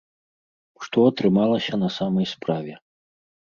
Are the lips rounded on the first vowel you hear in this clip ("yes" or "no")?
yes